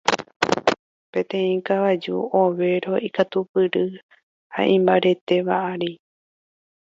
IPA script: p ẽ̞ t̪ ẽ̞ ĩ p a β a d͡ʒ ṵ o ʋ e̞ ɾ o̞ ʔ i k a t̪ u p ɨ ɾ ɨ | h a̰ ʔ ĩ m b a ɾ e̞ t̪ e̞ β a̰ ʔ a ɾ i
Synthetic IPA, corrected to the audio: p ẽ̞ t̪ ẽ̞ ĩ k a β a d͡ʒ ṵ o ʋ e̞ ɾ o̞ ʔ i k a t̪ u p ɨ ɾ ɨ | h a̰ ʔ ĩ m b a ɾ e̞ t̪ e̞ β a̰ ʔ a ɾ i